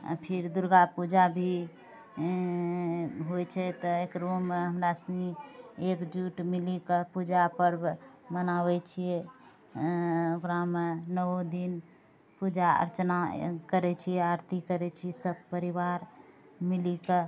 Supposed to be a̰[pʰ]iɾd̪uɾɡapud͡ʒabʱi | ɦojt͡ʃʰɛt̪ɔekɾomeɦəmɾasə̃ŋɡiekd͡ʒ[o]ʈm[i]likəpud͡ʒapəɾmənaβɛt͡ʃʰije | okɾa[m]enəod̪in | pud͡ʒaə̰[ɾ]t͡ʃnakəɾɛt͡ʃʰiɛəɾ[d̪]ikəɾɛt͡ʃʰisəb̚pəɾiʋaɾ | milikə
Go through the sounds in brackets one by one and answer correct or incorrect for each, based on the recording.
correct, incorrect: u, correct, correct, correct, incorrect: t̪

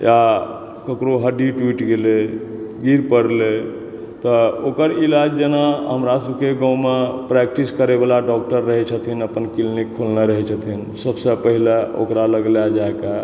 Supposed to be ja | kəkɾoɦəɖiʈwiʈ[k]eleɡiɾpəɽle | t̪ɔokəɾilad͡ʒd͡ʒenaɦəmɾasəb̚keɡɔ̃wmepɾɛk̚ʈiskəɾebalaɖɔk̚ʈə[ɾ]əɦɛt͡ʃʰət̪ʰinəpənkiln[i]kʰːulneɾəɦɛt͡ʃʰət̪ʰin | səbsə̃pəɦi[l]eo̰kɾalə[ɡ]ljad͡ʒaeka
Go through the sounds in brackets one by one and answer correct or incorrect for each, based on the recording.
incorrect: ɡ, incorrect: ɾː, correct, correct, correct

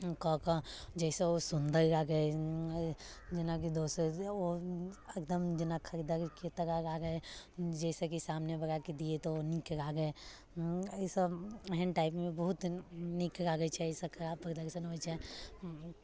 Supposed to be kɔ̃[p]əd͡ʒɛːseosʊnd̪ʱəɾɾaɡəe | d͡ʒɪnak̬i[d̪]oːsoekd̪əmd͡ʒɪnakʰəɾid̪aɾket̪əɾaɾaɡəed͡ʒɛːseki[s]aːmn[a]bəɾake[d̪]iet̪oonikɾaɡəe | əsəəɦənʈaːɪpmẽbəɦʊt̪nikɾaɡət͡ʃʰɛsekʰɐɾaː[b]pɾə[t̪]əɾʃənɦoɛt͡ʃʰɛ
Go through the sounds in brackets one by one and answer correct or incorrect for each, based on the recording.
incorrect: k, correct, correct, incorrect: e, correct, correct, incorrect: d̪

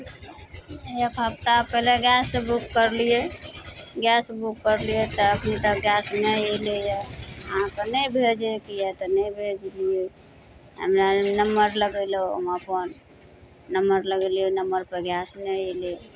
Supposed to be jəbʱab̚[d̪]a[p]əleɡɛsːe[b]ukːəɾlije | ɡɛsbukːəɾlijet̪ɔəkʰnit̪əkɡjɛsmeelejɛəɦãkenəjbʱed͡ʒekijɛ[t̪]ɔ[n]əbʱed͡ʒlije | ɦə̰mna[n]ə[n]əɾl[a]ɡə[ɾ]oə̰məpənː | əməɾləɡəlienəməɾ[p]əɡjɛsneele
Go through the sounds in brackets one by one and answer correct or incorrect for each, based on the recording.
incorrect: t̪, correct, correct, correct, correct, correct, incorrect: m, incorrect: ə, incorrect: l, correct

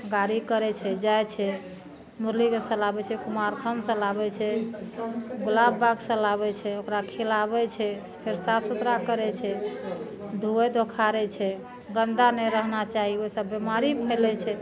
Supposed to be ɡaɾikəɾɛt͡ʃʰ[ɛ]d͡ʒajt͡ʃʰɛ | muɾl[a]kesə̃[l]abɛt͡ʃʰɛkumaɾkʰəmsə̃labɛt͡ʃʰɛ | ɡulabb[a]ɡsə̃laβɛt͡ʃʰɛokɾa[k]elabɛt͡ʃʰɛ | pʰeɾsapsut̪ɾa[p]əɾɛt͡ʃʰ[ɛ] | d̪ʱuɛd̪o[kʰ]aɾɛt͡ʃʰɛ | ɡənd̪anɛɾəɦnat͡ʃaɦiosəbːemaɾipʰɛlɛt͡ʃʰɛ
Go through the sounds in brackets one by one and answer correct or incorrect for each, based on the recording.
correct, incorrect: i, correct, correct, incorrect: kʰ, incorrect: k, correct, correct

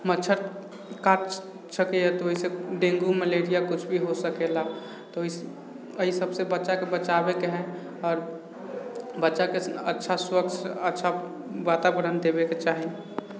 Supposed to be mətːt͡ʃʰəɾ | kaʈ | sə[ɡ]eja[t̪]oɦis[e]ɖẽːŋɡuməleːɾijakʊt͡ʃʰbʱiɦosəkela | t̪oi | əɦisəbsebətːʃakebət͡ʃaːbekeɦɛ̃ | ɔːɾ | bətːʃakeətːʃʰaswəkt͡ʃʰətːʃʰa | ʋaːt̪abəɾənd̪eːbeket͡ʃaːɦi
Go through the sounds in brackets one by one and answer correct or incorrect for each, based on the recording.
incorrect: k, correct, correct

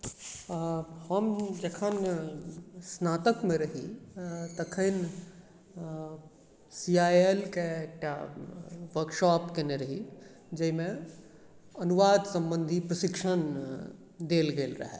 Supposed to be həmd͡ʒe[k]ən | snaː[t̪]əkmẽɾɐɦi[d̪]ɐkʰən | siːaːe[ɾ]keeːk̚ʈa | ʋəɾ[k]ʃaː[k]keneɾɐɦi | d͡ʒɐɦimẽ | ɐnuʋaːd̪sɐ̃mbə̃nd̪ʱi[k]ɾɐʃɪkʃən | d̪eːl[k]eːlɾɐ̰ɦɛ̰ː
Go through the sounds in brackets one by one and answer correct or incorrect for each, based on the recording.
incorrect: kʰ, correct, incorrect: t̪, incorrect: l, correct, incorrect: p, incorrect: p, incorrect: ɡ

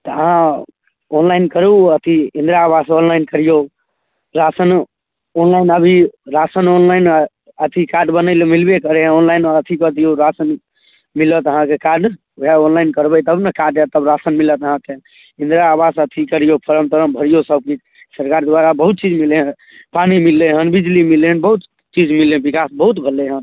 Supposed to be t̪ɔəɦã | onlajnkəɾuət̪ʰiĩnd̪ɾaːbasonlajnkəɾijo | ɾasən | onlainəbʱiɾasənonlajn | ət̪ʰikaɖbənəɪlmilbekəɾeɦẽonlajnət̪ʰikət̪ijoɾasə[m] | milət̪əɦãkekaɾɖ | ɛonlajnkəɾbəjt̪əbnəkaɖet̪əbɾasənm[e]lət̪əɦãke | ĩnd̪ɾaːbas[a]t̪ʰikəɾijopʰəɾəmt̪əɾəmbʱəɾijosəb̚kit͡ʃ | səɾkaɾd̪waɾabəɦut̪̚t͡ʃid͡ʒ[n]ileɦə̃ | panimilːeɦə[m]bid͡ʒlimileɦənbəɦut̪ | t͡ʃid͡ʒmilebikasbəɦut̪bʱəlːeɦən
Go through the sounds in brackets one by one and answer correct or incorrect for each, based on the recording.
incorrect: n, incorrect: i, incorrect: ə, incorrect: m, incorrect: n

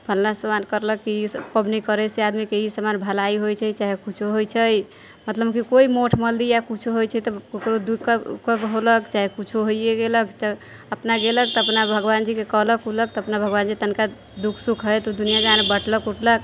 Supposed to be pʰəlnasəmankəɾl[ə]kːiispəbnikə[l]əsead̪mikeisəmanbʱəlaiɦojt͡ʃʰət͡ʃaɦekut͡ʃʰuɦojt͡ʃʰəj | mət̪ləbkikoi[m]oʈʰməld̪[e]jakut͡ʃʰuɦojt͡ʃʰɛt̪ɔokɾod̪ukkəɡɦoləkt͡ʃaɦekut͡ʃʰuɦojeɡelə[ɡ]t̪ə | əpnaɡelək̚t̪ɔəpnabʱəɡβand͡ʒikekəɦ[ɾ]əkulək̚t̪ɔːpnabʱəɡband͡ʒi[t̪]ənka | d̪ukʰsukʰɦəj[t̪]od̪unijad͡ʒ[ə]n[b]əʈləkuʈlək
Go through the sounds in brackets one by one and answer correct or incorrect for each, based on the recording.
correct, incorrect: ɾ, correct, incorrect: i, incorrect: k, incorrect: l, correct, correct, incorrect: a, correct

